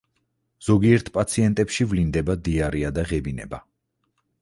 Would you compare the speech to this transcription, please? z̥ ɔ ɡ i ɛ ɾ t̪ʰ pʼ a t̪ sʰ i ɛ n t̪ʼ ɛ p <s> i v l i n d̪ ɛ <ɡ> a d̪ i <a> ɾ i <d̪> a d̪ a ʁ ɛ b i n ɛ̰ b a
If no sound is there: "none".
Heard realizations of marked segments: ʃ, b, a, none

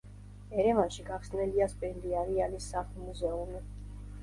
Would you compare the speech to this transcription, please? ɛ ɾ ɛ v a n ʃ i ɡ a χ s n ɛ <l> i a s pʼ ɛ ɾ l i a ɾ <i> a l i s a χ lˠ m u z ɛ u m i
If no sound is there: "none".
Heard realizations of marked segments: l, i

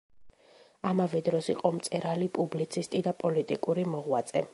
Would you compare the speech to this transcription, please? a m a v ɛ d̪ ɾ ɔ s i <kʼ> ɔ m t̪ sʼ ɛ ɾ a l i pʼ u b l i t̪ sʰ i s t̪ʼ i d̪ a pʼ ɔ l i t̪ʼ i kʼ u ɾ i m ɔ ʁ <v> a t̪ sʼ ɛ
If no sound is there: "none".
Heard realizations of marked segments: qʼ, w

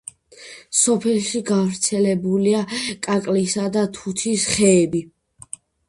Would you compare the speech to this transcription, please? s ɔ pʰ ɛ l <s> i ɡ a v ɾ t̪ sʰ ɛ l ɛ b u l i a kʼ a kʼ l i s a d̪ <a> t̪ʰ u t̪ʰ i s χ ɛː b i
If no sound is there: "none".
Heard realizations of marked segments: ʃ, a

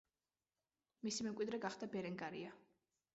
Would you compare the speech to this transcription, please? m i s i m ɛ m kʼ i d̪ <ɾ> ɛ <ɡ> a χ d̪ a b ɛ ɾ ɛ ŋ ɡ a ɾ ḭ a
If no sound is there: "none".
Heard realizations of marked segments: ɾ, ɡ

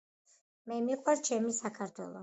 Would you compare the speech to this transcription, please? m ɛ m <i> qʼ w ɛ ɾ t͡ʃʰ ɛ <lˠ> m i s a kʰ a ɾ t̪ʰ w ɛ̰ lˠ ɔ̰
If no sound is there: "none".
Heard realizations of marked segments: i, none

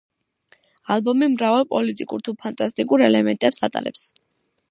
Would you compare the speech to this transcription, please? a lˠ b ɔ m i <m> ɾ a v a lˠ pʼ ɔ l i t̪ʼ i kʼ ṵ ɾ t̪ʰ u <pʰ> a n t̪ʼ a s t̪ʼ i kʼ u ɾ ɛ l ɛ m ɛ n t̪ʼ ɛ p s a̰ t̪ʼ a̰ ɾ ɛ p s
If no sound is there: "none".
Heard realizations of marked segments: m, pʰ

